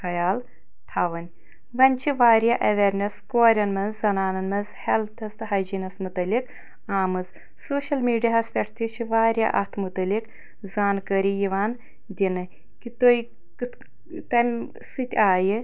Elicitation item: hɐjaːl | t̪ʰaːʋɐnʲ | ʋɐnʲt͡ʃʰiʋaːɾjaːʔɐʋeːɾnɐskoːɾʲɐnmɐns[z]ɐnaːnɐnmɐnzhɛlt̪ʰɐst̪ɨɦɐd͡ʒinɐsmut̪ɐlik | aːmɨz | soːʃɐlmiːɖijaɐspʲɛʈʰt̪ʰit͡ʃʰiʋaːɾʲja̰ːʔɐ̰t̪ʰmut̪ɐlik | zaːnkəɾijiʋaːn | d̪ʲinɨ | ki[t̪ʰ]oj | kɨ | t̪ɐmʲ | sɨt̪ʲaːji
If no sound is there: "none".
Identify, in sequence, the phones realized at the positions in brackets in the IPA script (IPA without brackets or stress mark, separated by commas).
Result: z, t̪